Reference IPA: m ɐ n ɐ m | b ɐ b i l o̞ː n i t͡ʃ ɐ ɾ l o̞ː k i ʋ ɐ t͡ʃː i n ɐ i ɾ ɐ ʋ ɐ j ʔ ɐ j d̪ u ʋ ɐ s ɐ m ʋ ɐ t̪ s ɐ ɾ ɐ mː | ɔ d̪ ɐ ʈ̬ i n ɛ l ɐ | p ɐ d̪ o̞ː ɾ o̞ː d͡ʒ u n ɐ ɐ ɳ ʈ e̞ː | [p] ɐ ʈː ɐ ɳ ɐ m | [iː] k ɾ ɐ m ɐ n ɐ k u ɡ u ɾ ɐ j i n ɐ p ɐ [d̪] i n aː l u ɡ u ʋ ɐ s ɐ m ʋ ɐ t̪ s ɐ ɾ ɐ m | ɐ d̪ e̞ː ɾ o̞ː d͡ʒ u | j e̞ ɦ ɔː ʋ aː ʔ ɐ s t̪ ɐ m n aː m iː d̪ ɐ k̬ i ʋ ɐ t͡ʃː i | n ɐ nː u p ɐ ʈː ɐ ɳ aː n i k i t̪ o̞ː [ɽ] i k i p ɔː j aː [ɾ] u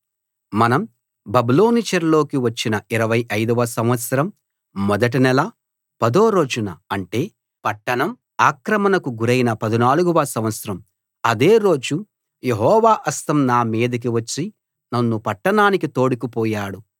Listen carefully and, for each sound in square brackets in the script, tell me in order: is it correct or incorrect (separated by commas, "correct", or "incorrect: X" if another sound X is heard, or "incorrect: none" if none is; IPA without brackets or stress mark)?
correct, incorrect: aː, correct, correct, incorrect: ɽ